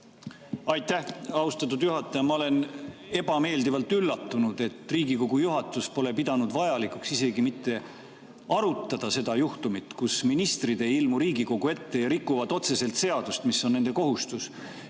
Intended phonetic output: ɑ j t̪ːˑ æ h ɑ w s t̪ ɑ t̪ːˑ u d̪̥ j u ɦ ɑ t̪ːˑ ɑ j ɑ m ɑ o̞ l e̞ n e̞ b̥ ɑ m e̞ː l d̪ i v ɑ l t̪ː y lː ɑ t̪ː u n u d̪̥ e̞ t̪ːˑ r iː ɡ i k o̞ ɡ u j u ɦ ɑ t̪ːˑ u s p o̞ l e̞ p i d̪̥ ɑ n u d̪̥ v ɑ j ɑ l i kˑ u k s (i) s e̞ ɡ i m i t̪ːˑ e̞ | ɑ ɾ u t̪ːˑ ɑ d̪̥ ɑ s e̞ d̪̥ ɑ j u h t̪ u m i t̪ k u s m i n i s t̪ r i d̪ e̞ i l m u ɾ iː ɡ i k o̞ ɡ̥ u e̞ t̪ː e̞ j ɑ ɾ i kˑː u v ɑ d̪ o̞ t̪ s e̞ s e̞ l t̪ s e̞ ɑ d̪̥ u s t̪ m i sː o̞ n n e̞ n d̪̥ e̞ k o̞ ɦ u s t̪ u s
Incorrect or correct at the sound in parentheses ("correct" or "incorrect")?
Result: correct